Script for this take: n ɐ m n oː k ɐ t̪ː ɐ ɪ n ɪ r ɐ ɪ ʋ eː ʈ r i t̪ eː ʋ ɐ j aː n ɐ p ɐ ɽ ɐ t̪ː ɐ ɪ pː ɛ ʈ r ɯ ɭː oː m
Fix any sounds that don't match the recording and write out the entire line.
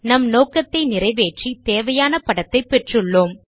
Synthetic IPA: n ɐ m n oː k ɐ t̪ː ɐ ɪ n ɪ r ɐ ɪ ʋ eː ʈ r i t̪ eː ʋ ɐ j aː n ɐ p ɐ ɽ ɐ t̪ː ɐ ɪ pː ɛ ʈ r ɯ ɭː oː m